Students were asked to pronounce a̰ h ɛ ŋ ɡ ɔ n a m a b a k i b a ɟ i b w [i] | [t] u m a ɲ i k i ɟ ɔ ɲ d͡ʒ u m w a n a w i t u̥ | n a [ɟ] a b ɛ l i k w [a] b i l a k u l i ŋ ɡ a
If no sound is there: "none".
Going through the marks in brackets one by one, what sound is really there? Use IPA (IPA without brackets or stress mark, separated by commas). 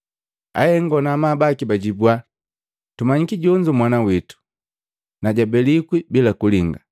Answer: a, t, ɟ, i